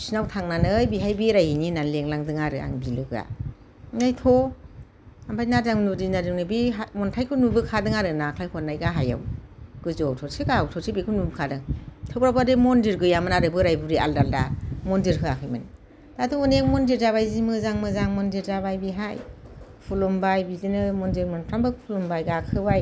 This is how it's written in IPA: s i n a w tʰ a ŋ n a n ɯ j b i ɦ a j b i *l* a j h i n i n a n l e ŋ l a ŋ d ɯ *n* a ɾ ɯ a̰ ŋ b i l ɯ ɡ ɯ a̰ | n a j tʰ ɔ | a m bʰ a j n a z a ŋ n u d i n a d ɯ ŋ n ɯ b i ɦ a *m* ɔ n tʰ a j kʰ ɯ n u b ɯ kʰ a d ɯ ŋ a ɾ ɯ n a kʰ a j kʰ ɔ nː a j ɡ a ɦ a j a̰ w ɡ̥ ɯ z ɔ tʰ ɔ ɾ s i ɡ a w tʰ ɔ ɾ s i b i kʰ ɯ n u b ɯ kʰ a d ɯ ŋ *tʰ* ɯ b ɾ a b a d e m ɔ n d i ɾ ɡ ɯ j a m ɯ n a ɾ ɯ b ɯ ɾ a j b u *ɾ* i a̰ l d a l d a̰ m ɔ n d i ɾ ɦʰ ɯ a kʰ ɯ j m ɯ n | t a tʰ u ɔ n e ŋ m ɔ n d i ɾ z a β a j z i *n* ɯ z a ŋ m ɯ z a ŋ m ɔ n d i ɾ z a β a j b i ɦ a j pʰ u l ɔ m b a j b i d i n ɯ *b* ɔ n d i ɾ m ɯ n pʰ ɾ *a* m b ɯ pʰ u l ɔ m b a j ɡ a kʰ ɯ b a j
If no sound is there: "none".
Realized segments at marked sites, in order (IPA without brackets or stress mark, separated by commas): ɾ, ŋ, m, tʰ, ɾ, m, m, a